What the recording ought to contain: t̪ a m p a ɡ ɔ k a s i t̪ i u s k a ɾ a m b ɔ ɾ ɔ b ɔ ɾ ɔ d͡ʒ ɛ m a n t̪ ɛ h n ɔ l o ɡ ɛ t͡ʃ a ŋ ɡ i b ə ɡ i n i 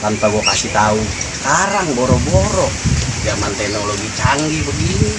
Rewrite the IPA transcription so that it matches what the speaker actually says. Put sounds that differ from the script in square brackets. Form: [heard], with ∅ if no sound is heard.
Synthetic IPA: t̪ a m p a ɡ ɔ k a s i t̪ [a] u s k a ɾ a [ŋ] b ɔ ɾ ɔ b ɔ ɾ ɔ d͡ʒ [a] m a n t̪ ɛ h n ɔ l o ɡ [i] t͡ʃ a ŋ ɡ i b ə ɡ i n i